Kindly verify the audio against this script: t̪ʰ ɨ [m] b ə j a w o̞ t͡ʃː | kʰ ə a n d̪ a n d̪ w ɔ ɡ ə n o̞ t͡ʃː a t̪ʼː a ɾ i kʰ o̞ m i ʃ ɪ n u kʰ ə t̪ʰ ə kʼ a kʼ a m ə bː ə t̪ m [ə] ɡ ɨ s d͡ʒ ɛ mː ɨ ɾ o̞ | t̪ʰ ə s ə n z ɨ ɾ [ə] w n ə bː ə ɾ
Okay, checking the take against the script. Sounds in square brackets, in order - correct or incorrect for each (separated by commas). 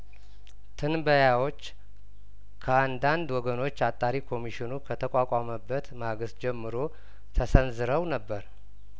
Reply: incorrect, incorrect, correct